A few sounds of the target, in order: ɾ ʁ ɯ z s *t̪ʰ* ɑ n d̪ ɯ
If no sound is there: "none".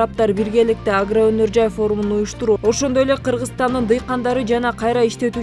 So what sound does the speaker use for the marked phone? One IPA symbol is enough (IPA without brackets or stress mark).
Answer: t̪